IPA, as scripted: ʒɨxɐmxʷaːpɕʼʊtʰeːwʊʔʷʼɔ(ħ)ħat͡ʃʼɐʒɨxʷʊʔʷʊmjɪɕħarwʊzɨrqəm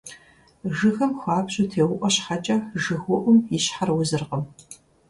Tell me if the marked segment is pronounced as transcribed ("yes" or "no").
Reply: no